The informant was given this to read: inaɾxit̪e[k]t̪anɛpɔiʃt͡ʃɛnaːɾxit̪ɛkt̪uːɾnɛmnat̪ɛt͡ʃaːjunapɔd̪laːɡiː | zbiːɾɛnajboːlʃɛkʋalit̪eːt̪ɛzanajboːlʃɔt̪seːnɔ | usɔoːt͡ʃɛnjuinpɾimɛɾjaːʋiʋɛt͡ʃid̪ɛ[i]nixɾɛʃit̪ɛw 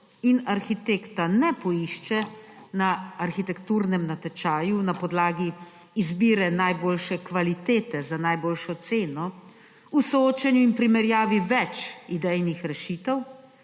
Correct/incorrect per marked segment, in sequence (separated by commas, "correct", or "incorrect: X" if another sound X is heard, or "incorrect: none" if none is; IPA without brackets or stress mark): correct, incorrect: j